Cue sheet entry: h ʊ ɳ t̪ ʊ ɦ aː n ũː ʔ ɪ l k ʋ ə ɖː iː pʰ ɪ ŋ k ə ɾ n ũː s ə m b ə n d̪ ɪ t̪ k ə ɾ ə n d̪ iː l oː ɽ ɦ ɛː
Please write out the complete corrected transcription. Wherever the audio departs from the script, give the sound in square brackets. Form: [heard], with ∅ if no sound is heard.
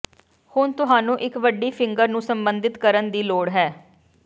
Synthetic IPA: h ʊ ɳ t̪ ʊ ɦ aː n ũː ʔ ɪ [∅] k ʋ ə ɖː iː pʰ ɪ ŋ [ɡ] ə ɾ n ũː s ə m b ə n d̪ ɪ t̪ k ə ɾ ə n d̪ iː l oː ɽ ɦ ɛː

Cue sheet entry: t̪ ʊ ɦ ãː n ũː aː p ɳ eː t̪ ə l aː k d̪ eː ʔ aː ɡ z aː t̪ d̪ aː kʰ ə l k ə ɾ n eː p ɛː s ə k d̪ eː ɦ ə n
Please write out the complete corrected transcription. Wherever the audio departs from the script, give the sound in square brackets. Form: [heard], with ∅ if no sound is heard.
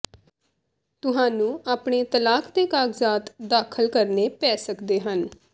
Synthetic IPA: t̪ ʊ ɦ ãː n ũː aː p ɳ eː t̪ ə l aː k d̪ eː [k] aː ɡ z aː t̪ d̪ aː kʰ ə l k ə ɾ n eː p ɛː s ə k d̪ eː ɦ ə n

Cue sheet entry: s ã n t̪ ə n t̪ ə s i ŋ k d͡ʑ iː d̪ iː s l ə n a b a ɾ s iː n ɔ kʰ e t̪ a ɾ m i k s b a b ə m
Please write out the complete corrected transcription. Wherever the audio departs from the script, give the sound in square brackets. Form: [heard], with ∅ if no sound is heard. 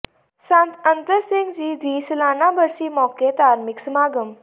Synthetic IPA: s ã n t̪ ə n t̪ ə s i ŋ [ɡ] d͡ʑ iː d̪ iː s l [a] n a b [ə] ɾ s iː [m] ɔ [k] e t̪ a ɾ m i k s [m] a [ɡ] ə m

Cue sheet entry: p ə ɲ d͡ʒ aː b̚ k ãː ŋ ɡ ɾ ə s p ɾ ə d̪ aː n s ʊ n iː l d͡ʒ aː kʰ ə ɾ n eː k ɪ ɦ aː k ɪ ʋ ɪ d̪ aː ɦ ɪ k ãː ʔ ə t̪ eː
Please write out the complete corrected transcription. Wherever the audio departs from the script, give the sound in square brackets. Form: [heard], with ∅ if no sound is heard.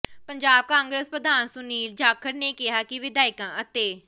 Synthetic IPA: p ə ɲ d͡ʒ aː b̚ k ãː ŋ ɡ ɾ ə s p ɾ ə d̪ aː n s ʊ n iː l d͡ʒ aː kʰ ə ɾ n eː k ɪ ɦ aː k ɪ ʋ ɪ d̪ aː [∅] ɪ k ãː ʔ ə t̪ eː

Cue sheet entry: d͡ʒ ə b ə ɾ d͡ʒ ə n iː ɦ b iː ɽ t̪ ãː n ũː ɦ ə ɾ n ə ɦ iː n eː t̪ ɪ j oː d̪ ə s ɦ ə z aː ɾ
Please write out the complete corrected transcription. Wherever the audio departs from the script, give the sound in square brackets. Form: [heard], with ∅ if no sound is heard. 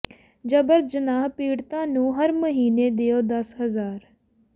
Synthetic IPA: d͡ʒ ə b ə ɾ d͡ʒ ə n [aː] ɦ [p] iː ɽ t̪ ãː n ũː ɦ ə ɾ [m] ə ɦ iː n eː [d̪] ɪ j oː d̪ ə s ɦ ə z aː ɾ

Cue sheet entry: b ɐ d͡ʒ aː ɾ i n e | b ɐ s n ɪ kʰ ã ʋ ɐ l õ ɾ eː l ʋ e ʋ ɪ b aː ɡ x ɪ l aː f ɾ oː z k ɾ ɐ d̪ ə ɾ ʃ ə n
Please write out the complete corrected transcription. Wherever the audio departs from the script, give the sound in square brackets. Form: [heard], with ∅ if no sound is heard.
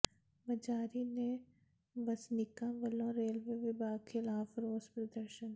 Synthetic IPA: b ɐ d͡ʒ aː ɾ i n e | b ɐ s n ɪ [k] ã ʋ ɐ l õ ɾ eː l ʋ e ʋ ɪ b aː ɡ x ɪ l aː f ɾ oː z [p] ɾ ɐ d̪ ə ɾ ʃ ə n

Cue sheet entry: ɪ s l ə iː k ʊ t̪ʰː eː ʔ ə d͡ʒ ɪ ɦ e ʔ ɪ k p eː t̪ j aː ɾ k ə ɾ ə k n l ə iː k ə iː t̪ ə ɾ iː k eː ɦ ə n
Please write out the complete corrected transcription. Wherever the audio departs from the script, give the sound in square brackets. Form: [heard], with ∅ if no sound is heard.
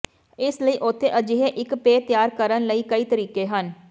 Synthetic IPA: ɪ s l ə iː [ʔ] ʊ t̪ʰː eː ʔ ə d͡ʒ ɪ ɦ e ʔ ɪ k p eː t̪ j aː ɾ k ə ɾ ə [∅] n l ə iː k ə iː t̪ ə ɾ iː k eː ɦ ə n

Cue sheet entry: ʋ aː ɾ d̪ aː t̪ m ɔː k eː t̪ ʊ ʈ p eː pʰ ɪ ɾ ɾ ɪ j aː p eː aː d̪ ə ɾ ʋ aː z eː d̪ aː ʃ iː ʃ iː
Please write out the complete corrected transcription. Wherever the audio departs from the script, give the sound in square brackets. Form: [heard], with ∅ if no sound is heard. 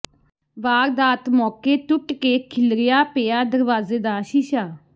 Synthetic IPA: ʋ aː ɾ d̪ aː t̪ m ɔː k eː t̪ ʊ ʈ [k] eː [kʰ] ɪ [l] ɾ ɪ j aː p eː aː d̪ ə ɾ ʋ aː z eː d̪ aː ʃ iː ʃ [aː]

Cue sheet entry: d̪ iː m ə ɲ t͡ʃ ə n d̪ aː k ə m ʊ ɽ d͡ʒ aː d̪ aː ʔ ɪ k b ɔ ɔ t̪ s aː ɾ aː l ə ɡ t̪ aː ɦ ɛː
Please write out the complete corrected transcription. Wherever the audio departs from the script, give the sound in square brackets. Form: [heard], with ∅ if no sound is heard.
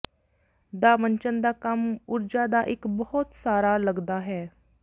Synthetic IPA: d̪ [aː] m ə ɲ t͡ʃ ə n d̪ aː k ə m ʊ [ɾ] d͡ʒ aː d̪ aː ʔ ɪ k b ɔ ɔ t̪ s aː ɾ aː l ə ɡ [d̪] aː ɦ ɛː

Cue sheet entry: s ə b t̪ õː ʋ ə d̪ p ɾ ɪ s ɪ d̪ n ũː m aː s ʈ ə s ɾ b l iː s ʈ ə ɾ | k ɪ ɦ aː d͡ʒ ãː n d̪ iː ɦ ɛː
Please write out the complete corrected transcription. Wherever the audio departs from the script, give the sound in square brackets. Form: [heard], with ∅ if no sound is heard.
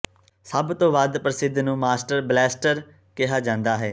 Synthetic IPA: s ə b t̪ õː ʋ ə d̪ p ɾ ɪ s ɪ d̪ n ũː m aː s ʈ ə [∅] ɾ b l [ɛː] s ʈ ə ɾ | k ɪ ɦ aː d͡ʒ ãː n d̪ [aː] ɦ ɛː

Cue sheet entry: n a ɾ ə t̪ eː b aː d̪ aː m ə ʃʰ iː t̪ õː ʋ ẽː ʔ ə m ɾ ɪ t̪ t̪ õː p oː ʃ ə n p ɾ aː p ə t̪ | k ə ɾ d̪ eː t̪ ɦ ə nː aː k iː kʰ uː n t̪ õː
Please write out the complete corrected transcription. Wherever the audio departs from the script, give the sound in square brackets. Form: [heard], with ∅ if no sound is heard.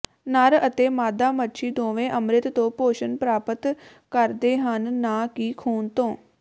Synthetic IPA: n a ɾ ə t̪ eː [m] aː d̪ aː m ə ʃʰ iː [d̪] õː ʋ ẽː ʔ ə m ɾ ɪ t̪ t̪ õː p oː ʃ ə n p ɾ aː p ə t̪ | k ə ɾ d̪ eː [∅] ɦ ə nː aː k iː kʰ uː n t̪ õː

